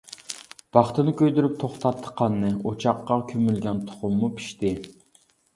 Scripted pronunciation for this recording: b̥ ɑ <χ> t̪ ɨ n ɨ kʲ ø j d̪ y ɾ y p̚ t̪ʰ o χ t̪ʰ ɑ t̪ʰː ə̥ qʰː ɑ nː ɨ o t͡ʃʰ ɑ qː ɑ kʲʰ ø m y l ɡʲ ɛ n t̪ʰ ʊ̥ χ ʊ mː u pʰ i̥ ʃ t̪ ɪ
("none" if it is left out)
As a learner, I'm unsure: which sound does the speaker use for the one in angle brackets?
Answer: χ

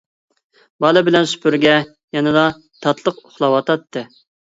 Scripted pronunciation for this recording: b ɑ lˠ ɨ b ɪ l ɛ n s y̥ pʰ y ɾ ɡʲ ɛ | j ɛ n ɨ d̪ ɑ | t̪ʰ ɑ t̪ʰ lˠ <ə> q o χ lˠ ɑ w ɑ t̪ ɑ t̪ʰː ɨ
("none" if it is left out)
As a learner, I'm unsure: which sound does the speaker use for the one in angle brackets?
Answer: ə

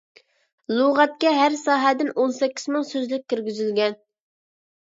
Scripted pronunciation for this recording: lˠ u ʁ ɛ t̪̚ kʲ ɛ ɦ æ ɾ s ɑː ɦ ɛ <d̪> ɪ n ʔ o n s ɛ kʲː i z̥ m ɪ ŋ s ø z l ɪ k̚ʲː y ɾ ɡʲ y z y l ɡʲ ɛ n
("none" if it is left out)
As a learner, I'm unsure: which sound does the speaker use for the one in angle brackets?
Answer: d̪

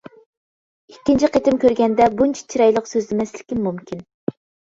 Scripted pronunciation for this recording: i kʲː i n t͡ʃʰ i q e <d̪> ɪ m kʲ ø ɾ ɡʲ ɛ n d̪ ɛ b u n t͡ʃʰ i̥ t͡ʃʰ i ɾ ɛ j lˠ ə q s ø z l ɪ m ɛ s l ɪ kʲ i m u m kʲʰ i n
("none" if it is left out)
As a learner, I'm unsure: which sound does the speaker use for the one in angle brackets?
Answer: t̪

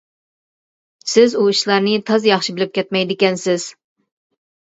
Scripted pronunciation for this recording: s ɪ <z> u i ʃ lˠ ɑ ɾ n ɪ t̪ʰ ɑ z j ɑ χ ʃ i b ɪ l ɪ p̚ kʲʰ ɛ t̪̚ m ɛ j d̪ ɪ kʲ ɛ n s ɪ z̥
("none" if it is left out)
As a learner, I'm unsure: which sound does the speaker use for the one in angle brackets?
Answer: z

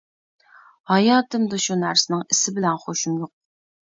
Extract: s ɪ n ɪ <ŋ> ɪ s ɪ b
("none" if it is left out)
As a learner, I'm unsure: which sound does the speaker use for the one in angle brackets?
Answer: ŋ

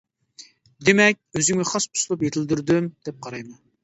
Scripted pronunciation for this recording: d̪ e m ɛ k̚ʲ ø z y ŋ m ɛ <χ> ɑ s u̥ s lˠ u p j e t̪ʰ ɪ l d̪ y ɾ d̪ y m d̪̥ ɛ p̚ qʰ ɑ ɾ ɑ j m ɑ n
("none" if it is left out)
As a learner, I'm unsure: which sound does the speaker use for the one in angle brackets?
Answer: χ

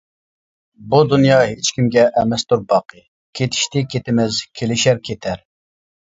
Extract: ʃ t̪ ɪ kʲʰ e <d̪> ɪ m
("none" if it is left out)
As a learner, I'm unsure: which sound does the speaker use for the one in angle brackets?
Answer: t̪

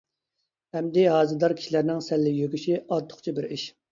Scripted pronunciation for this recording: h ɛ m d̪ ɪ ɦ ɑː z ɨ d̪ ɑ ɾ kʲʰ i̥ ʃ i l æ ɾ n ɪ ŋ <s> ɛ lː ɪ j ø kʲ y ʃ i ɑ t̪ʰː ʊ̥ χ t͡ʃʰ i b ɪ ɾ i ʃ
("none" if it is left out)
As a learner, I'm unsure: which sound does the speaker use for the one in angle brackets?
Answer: s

